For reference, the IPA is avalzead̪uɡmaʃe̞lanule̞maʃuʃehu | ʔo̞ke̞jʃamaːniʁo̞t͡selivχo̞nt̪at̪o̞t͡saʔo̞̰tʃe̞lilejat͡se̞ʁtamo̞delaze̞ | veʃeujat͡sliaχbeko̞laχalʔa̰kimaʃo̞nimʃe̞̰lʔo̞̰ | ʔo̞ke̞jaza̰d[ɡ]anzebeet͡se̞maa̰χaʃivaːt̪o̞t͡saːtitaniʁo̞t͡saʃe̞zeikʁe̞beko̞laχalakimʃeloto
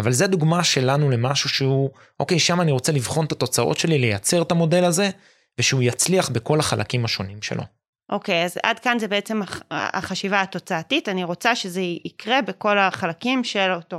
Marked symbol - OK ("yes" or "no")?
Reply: no